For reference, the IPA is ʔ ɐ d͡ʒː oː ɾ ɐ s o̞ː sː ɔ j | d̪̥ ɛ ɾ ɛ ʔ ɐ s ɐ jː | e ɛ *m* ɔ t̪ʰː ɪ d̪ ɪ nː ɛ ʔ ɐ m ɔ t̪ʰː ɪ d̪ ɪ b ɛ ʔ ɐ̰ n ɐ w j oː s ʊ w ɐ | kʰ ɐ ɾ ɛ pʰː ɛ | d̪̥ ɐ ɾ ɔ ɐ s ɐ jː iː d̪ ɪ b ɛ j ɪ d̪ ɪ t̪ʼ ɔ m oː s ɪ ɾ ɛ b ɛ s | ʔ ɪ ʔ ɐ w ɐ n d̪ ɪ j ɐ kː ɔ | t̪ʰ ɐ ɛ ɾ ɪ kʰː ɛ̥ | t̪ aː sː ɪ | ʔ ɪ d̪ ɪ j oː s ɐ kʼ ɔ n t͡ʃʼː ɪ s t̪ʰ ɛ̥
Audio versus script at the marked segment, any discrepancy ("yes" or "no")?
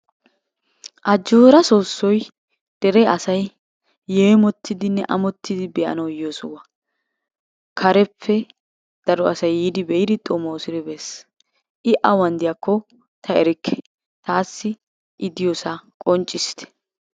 no